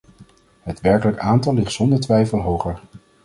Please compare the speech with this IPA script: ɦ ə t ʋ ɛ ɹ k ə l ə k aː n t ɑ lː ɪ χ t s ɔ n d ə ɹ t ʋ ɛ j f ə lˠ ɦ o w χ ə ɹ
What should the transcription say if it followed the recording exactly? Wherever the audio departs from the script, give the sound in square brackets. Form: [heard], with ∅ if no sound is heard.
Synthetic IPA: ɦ ə t ʋ ɛ ɹ k ə l ə k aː n t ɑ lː ɪ χ t s ɔ n d ə ɹ t ʋ ɛ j f ə lˠ ɦ o w χ ə ɹ